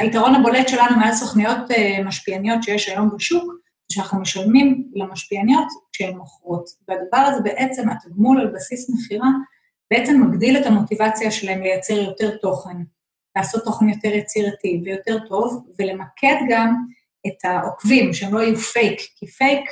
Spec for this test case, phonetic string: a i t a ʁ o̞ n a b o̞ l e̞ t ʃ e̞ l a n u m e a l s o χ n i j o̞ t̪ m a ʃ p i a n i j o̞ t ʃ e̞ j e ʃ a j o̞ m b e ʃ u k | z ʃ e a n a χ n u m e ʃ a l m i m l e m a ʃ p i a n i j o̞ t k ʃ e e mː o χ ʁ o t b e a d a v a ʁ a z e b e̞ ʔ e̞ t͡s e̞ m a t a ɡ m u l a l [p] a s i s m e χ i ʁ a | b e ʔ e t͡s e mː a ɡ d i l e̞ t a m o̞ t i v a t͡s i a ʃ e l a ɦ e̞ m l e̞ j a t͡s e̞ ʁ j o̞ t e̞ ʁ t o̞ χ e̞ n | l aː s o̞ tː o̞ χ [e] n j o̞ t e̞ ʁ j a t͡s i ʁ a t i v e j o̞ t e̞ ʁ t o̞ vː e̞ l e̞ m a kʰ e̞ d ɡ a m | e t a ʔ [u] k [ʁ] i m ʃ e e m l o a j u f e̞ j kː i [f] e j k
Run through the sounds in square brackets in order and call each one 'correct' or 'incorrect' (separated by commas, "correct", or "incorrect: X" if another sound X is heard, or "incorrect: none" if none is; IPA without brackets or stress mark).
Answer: incorrect: b, correct, incorrect: o, incorrect: v, correct